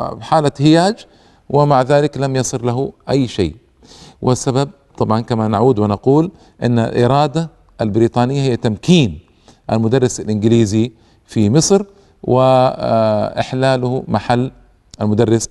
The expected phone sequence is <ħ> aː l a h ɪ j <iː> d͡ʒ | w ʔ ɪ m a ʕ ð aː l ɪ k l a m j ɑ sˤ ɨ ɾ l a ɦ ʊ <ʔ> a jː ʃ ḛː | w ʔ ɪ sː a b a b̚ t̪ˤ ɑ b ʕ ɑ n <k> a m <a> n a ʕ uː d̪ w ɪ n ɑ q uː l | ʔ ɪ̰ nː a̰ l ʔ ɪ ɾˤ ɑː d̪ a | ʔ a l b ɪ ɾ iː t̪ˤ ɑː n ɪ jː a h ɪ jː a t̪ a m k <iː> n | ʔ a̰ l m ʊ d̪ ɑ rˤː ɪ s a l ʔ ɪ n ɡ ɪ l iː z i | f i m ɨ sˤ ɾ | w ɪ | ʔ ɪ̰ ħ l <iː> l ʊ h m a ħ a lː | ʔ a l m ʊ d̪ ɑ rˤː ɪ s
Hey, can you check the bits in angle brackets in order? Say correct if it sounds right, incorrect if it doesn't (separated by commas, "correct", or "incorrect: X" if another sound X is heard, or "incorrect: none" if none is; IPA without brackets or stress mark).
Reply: correct, incorrect: aː, correct, correct, correct, correct, incorrect: aː